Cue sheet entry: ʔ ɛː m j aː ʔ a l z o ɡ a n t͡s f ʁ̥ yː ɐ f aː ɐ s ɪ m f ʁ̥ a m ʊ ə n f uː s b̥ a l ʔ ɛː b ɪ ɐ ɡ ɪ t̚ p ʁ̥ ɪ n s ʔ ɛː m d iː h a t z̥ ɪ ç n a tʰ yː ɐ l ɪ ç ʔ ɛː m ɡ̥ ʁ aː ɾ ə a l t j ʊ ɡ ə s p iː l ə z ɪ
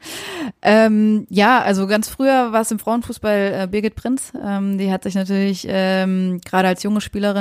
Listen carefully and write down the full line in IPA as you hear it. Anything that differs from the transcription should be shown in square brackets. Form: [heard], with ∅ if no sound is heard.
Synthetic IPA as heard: ʔ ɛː m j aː ʔ a l z o ɡ a n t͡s f ʁ̥ yː ɐ [v] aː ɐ s ɪ m f ʁ̥ a [∅] ʊ ə n f uː s b̥ a l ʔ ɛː b ɪ ɐ ɡ ɪ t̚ p ʁ̥ ɪ n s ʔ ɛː m d iː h a t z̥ ɪ ç n a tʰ yː ɐ l ɪ ç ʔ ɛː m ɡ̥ ʁ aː ɾ ə a l [s] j ʊ [ŋ] ə [ʃ] p iː l ə [ʁ] ɪ